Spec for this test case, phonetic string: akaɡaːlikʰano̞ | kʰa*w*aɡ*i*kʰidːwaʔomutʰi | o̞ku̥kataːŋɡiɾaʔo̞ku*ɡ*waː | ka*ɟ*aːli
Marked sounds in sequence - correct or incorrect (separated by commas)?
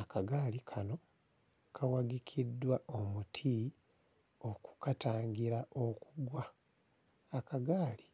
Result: correct, correct, correct, incorrect